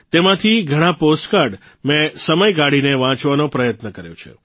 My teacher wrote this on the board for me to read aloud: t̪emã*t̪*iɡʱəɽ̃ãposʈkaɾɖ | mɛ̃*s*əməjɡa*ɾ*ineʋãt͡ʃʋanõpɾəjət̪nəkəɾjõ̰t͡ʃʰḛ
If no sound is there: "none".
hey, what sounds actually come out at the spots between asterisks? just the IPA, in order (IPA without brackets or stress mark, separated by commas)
t̪ʰ, s, ɽ